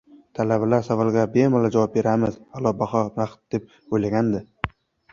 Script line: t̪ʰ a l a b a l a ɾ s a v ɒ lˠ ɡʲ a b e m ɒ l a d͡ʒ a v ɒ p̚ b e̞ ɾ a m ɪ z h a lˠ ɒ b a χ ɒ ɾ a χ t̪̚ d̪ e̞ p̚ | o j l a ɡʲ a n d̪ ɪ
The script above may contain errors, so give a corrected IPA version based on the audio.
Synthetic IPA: t̪ʰ a l a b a l a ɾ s a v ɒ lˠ ɡʲ a b e m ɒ l a d͡ʒ a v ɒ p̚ b e̞ ɾ a m ɪ z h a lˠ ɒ b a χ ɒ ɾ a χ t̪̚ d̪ e̞ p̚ | o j l a ɡʲ a n d̪ ɪ